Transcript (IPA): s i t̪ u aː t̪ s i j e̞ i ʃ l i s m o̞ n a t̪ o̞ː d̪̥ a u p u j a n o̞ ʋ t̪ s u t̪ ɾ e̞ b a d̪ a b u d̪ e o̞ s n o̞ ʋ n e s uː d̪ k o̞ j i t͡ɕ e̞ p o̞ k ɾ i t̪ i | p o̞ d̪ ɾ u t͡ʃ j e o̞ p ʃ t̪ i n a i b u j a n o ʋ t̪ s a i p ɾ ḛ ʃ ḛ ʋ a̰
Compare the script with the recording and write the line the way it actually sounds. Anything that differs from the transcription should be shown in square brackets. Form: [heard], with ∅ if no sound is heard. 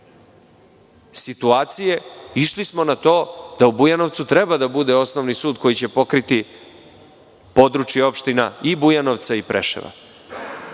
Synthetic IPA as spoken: s i t̪ u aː t̪ s i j e̞ i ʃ l i s m o̞ n a t̪ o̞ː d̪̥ a u [b] u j a n o̞ ʋ t̪ s u t̪ ɾ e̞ b a d̪ a b u d̪ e o̞ s n o̞ ʋ n [i] s uː d̪ k o̞ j i t͡ɕ e̞ p o̞ k ɾ i t̪ i | p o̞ d̪ ɾ u t͡ʃ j e o̞ p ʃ t̪ i n a i b u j a n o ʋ t̪ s a i p ɾ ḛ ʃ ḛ ʋ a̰